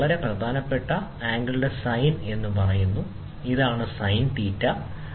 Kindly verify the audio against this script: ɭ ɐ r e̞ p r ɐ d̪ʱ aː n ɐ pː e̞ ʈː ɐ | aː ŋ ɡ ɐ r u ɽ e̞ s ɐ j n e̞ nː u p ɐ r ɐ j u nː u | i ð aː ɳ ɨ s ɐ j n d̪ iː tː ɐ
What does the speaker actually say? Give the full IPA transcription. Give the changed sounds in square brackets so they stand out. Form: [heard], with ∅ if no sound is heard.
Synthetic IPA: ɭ ɐ [ɾ] e̞ p r ɐ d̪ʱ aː n ɐ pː e̞ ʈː ɐ | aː ŋ ɡ ɐ [ɭ] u ɽ e̞ s ɐ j n e̞ nː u p ɐ r ɐ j u nː u | i ð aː ɳ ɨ s ɐ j n [t̪] iː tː ɐ